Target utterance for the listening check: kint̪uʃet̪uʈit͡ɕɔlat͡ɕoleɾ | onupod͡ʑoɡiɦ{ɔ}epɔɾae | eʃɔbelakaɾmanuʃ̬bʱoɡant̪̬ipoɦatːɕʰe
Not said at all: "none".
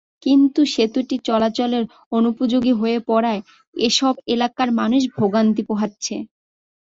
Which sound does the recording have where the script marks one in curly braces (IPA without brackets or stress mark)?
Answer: o